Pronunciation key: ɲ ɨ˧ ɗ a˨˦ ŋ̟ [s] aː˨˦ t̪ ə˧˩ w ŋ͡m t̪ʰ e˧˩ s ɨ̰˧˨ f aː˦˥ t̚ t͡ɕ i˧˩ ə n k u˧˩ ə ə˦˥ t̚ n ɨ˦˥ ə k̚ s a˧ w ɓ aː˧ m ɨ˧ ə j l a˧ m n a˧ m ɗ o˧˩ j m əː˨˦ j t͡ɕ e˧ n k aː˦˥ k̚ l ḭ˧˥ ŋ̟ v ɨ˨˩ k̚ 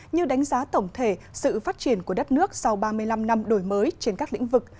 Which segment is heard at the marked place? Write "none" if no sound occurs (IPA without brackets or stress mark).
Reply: z